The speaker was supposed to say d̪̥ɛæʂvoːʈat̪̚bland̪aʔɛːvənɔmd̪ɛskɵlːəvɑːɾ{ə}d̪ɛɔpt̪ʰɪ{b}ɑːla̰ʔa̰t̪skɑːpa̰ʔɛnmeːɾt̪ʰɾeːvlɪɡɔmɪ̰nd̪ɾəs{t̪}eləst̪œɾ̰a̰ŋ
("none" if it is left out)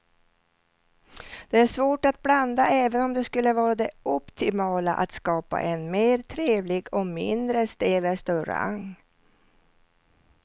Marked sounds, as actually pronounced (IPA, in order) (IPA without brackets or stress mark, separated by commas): a, m, t̪